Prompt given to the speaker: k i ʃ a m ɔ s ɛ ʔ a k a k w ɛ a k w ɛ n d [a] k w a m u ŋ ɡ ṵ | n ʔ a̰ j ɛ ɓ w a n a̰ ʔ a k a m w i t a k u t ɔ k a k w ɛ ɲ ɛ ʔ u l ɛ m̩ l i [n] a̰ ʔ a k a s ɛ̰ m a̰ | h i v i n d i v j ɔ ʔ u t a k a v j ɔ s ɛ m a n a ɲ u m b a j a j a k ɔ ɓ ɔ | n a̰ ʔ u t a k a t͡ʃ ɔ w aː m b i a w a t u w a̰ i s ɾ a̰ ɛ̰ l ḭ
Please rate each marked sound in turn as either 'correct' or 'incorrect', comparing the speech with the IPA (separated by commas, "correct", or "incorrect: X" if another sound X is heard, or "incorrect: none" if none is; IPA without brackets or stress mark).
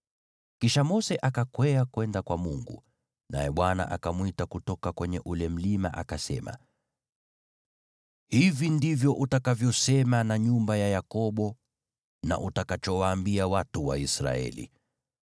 correct, incorrect: m